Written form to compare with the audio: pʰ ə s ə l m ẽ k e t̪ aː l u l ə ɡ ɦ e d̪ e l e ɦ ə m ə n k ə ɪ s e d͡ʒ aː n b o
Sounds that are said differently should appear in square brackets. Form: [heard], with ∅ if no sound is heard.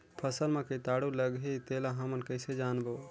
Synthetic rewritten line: pʰ ə s ə l m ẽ k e t̪ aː [ɽ] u l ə ɡ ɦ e [t̪] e l [a] ɦ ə m ə n k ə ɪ s e d͡ʒ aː n b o